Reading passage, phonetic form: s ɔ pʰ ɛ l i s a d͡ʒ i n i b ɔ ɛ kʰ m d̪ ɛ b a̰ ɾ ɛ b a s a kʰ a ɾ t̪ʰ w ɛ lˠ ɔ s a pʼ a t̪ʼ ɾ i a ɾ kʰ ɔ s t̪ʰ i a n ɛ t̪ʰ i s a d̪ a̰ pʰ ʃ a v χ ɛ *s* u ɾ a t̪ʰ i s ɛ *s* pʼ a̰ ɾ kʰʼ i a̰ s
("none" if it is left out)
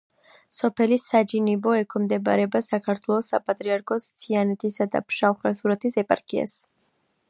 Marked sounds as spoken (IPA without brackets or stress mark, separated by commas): s, none